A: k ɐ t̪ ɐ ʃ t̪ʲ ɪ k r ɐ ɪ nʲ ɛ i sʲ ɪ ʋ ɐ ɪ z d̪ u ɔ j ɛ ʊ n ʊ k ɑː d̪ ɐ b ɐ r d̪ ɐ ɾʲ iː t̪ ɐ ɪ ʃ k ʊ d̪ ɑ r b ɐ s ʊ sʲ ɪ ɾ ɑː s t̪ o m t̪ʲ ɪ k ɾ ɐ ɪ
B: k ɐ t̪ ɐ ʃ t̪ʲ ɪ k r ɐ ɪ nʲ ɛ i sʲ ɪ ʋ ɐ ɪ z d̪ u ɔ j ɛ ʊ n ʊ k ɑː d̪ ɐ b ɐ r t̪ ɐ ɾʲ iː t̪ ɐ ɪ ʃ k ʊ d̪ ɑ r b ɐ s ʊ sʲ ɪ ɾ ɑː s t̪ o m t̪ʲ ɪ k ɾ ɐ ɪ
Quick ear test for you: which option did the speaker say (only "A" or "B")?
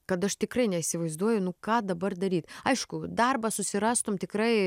A